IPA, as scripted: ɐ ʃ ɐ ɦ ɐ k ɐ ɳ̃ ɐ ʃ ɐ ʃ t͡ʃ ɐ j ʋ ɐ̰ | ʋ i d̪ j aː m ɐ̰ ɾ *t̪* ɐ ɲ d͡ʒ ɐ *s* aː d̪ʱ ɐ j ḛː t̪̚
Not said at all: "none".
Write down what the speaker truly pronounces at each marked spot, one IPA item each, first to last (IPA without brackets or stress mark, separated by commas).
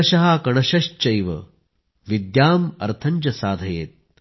t̪ʰ, s